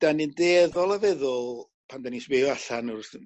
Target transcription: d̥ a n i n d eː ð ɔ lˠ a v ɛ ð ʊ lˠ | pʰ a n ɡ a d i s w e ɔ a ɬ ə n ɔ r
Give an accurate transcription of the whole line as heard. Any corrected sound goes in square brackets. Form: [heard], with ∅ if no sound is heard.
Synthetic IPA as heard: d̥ a n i n d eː ð ɔ lˠ a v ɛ ð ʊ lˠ | pʰ a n [d] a [n] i s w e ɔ a ɬ [a] n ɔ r